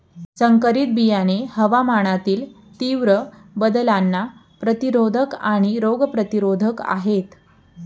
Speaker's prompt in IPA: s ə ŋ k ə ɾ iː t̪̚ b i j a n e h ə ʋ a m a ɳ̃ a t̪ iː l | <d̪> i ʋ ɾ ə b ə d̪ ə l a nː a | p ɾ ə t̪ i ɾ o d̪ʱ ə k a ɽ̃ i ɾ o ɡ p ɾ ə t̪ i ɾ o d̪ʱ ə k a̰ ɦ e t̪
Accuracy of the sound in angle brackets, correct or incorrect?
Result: incorrect